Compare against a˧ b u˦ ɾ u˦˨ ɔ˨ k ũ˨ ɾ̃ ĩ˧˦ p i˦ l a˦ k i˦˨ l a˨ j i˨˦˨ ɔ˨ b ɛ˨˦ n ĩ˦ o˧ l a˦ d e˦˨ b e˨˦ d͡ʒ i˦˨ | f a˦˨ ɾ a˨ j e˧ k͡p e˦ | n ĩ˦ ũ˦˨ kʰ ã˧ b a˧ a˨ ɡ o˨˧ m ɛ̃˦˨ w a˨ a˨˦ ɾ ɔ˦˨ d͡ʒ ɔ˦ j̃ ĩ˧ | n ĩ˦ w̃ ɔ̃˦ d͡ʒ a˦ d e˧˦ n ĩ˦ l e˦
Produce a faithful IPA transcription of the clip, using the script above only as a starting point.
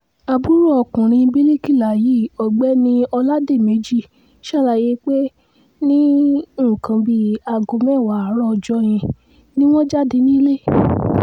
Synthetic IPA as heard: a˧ b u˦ ɾ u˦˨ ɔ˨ k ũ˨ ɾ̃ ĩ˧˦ b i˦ l i˦ k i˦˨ l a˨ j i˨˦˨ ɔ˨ ɡ͡b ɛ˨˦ n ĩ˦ ɔ˧ l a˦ d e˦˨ m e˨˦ d͡ʒ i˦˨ | ʃ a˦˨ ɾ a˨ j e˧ k͡p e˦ | n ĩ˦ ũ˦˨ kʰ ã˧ b i˧ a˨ ɡ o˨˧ m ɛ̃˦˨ w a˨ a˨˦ ɾ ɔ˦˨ d͡ʒ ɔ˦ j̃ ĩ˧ | n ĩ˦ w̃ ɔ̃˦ d͡ʒ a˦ d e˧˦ n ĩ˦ l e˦